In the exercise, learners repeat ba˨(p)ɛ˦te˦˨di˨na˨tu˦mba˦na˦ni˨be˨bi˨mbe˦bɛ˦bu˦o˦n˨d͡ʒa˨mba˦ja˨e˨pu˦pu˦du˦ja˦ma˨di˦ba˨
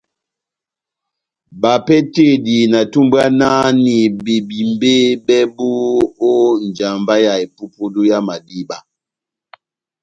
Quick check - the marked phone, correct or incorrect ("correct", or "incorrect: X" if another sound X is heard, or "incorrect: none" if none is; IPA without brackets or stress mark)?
correct